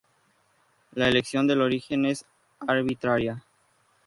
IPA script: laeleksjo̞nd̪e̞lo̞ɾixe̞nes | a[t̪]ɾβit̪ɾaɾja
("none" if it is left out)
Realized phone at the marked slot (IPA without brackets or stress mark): none